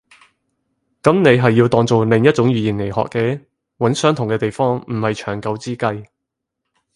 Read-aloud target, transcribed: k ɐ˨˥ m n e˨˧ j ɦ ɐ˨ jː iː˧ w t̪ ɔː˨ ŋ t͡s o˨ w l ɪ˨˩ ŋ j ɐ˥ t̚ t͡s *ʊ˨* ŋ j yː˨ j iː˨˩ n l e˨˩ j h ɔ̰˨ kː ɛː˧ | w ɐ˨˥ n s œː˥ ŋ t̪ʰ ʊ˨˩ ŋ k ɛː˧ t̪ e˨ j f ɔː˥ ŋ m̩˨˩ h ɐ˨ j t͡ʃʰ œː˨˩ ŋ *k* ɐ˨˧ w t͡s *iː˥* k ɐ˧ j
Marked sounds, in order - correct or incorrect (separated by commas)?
incorrect, correct, correct